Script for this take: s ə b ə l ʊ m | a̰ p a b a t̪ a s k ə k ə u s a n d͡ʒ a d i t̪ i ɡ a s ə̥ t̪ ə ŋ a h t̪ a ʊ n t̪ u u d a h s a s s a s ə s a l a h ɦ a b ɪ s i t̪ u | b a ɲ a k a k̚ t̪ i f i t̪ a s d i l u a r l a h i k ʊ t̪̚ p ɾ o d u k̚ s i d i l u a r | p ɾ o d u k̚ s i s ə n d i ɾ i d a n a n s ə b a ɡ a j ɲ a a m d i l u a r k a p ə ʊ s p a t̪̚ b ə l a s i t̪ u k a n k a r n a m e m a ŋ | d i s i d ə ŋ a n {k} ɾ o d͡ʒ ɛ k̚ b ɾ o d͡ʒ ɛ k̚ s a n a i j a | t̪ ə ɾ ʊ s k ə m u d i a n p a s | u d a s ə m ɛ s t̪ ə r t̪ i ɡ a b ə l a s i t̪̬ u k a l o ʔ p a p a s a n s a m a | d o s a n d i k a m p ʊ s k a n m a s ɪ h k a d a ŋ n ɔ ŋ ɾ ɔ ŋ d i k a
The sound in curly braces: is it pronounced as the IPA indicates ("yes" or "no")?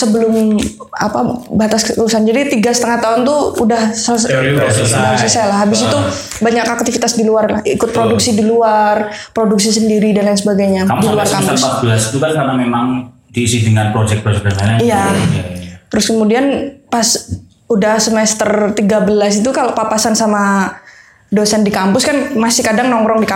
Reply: no